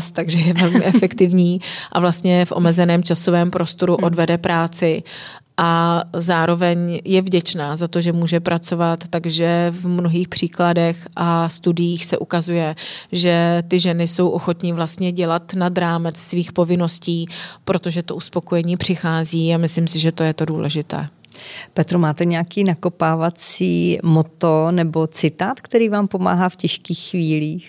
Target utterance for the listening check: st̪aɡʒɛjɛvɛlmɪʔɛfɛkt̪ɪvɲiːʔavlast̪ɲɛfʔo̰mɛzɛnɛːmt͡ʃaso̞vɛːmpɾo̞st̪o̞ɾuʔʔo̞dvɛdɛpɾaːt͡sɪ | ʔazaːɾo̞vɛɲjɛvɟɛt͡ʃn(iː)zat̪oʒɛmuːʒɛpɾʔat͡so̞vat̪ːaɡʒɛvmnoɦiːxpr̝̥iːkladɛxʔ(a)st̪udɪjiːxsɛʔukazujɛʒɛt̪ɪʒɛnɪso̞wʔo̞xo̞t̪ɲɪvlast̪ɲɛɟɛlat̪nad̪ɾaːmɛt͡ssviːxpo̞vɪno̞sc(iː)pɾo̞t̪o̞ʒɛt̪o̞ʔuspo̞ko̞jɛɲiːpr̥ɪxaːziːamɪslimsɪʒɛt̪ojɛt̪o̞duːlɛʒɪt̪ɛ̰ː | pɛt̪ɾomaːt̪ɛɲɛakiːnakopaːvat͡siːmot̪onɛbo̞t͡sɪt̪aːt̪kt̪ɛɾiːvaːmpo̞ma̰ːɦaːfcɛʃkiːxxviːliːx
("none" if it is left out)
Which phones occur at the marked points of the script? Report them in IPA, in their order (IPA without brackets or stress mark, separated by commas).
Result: aː, a, iː